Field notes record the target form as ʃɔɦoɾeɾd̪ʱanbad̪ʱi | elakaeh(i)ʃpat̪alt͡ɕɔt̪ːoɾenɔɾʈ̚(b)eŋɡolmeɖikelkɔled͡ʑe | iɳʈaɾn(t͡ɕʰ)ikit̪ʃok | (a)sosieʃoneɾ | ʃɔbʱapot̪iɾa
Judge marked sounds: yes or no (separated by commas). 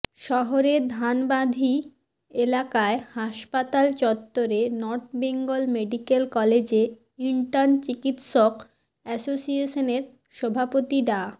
no, yes, no, no